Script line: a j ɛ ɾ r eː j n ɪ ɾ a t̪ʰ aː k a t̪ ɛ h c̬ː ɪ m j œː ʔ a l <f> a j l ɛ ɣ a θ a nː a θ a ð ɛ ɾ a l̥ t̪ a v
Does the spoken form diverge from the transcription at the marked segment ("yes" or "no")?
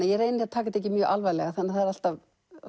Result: yes